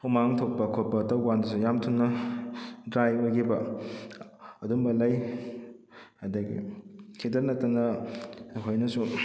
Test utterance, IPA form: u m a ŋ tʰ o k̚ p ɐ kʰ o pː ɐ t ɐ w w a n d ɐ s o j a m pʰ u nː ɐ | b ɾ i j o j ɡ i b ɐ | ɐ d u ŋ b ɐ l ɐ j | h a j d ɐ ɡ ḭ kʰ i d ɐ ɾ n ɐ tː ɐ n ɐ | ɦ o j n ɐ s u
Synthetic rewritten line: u m a ŋ tʰ o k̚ p ɐ kʰ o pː ɐ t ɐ w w a n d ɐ s u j a m tʰ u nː ɐ | d ɾ a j o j ɡ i b ɐ | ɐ d u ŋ b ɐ l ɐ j | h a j d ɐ ɡ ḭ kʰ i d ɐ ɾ n ɐ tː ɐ n ɐ | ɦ o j n ɐ s u